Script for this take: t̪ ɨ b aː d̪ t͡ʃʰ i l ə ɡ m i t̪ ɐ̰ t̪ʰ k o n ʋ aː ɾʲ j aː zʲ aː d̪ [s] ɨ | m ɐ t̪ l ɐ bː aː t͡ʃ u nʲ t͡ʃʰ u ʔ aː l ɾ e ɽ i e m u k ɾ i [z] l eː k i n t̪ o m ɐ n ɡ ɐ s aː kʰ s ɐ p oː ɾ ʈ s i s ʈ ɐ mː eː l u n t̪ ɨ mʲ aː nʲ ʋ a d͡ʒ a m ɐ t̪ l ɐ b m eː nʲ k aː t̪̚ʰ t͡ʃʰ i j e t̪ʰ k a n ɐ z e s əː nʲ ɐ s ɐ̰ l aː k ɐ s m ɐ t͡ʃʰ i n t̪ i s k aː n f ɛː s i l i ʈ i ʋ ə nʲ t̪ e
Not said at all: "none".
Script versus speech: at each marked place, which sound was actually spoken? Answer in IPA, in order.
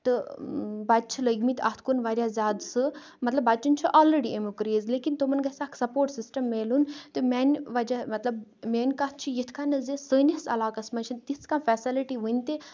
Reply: s, z

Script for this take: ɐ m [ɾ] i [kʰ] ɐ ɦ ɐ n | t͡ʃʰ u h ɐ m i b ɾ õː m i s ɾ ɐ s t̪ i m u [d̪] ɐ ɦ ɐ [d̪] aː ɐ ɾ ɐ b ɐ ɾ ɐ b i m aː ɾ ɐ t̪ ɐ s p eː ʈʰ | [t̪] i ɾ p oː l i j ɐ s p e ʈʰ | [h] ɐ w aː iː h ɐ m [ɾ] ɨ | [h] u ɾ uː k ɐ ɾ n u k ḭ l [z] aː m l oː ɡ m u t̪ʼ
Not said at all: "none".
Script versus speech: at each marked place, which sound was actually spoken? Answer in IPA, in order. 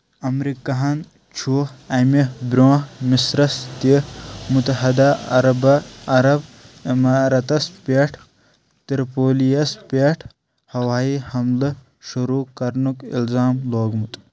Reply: ɾ, k, t̪, d̪, t̪, h, l, ʃ, z

